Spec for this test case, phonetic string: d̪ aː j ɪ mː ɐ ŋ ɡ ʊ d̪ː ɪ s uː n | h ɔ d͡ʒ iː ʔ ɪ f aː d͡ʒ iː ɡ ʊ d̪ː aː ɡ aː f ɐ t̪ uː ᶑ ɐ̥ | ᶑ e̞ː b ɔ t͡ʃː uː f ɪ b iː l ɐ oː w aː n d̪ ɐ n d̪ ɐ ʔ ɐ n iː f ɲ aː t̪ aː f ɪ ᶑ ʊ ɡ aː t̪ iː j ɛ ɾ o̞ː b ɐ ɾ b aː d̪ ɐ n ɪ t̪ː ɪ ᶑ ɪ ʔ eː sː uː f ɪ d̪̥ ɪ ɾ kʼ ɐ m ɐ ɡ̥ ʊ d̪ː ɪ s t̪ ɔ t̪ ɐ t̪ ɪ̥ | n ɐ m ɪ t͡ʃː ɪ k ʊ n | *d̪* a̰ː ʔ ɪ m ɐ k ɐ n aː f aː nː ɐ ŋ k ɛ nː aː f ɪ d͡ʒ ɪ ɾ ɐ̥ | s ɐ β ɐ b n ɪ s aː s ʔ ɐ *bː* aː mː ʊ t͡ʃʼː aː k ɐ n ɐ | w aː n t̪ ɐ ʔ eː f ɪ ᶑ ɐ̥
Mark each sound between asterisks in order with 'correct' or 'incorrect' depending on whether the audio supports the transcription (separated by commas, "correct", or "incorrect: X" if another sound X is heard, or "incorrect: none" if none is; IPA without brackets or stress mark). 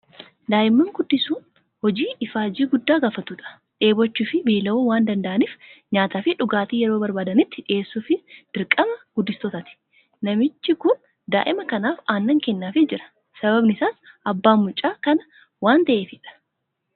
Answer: correct, correct